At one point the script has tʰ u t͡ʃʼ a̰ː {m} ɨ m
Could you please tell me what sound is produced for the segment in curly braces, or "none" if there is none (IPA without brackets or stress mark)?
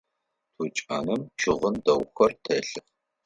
n